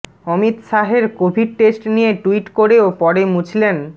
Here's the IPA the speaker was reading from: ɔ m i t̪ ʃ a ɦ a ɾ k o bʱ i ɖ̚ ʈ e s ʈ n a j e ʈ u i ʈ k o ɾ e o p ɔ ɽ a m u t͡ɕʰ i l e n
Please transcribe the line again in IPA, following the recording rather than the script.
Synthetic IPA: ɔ m i t̪ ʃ a ɦ e ɾ k o bʱ i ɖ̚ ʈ e s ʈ n i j e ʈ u i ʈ k o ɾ e o p ɔ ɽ e m u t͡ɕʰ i l e n